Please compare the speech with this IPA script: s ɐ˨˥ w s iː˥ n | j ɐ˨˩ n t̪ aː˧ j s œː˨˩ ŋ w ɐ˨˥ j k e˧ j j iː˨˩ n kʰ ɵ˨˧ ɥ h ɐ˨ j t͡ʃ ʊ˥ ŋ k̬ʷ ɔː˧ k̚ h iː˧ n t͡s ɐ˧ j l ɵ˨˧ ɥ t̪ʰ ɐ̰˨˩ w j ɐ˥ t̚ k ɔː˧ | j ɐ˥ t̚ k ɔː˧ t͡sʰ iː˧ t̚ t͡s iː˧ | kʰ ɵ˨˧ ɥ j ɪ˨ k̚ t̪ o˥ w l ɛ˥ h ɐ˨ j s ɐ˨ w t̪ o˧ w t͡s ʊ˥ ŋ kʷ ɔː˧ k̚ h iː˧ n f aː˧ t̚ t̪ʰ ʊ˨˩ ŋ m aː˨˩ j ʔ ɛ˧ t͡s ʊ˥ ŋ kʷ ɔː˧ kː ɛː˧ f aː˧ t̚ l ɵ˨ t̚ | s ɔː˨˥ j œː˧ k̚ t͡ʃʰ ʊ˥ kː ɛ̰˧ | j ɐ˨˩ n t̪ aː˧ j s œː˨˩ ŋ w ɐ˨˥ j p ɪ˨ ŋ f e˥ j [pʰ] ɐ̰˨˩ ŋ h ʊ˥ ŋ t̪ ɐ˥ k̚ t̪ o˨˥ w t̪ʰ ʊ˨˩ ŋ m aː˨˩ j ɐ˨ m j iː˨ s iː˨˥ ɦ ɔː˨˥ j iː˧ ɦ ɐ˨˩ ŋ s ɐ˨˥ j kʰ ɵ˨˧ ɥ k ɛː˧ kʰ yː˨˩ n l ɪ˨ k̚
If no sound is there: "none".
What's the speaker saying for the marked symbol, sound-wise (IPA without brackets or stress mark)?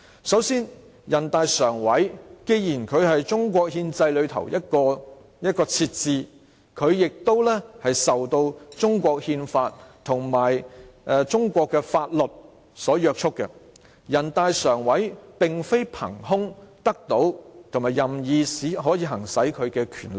pʰ